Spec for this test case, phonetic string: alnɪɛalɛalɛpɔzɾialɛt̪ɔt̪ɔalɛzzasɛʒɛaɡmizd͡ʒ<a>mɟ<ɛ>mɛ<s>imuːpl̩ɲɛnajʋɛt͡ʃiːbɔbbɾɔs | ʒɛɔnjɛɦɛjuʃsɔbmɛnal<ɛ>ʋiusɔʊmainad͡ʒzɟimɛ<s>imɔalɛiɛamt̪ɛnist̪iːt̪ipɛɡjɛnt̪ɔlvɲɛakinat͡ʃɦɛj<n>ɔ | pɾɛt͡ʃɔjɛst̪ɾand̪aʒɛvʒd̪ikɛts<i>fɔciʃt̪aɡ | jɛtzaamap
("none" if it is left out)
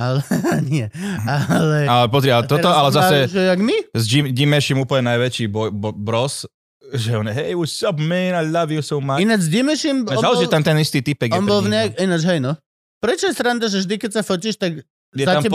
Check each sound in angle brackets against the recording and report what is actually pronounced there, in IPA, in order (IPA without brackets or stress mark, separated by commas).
i, i, ʃ, a, ʃ, n, a